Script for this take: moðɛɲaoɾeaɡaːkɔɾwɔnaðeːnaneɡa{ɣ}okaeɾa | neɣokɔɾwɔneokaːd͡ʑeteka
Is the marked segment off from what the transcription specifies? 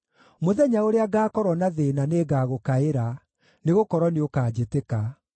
no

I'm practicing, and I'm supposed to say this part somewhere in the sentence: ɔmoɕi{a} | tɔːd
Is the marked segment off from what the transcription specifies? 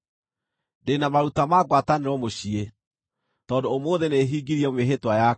yes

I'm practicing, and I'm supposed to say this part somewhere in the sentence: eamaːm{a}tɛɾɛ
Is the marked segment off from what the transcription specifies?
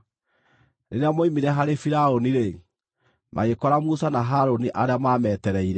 yes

